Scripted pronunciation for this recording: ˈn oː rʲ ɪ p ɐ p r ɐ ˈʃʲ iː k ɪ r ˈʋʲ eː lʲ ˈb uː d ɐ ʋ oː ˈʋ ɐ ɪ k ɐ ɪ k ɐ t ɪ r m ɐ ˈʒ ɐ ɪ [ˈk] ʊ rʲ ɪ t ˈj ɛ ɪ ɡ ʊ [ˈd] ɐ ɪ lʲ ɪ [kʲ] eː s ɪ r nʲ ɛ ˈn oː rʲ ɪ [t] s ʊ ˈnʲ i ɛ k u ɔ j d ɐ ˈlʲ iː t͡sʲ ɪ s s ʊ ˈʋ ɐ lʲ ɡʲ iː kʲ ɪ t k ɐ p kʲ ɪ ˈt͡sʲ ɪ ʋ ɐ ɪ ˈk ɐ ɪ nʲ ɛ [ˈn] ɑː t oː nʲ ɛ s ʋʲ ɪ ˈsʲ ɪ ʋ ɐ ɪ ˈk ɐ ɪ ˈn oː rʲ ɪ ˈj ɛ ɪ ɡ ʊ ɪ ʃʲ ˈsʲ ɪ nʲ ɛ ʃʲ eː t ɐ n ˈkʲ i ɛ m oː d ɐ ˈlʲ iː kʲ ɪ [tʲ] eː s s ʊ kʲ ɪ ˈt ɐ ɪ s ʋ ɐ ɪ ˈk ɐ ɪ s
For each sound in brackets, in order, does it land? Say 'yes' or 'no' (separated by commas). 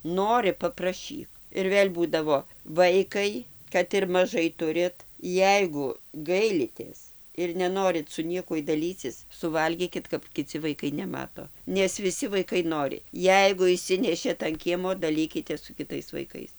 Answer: no, no, no, yes, no, yes